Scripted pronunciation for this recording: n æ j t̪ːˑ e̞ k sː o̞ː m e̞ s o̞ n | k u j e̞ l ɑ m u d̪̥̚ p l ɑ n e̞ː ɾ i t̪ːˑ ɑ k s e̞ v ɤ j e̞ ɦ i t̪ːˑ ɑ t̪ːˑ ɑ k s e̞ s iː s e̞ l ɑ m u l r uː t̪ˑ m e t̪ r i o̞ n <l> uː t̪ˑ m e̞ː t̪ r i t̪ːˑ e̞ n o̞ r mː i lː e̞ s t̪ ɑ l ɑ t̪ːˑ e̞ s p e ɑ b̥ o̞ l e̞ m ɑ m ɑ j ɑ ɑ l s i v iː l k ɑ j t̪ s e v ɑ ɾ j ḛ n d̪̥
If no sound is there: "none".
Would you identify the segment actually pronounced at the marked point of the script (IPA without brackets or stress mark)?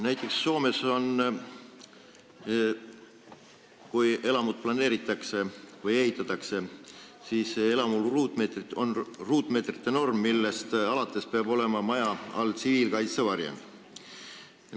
r